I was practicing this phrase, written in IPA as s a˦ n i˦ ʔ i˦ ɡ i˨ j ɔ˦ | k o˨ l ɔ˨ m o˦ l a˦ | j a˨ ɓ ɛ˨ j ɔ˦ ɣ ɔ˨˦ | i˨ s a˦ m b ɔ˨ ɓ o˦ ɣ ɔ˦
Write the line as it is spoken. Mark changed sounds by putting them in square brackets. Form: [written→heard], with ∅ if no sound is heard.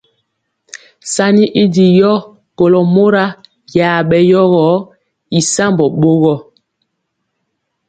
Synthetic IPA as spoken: s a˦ n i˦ ʔ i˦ [ɡ→d] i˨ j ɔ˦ | k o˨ l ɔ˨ m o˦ [l→ɾ] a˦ | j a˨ ɓ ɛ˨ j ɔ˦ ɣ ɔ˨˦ | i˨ s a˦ m b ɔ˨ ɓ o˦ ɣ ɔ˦